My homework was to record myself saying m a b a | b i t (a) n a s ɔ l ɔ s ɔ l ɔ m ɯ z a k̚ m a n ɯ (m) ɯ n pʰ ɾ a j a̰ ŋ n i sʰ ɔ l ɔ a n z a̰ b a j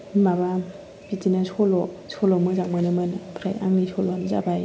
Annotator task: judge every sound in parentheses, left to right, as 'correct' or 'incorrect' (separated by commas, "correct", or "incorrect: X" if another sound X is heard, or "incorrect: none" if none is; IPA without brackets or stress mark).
incorrect: i, correct